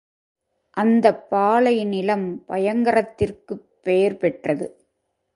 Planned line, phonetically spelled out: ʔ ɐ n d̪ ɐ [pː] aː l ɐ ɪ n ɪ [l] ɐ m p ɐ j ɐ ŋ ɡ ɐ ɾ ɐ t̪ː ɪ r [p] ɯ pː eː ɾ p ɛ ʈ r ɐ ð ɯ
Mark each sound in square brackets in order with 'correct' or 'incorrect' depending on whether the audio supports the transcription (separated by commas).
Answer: correct, correct, incorrect